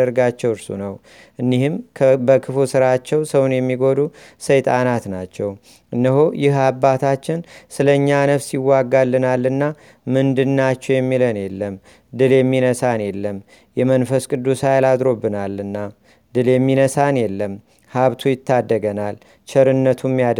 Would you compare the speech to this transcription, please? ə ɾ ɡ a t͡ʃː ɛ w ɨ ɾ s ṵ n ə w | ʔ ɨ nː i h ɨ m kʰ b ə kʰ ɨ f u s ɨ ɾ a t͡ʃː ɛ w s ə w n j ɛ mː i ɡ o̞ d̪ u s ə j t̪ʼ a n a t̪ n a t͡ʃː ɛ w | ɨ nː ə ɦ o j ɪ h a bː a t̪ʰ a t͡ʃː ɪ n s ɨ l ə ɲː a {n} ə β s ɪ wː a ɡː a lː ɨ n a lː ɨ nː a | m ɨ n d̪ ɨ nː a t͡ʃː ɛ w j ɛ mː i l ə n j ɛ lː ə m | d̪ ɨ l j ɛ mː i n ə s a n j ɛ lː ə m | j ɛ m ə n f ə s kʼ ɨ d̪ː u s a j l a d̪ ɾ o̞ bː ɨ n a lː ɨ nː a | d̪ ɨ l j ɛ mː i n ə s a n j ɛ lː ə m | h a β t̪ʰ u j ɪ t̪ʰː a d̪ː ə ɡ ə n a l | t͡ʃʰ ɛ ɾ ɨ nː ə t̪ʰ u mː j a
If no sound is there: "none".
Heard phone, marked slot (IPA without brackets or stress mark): n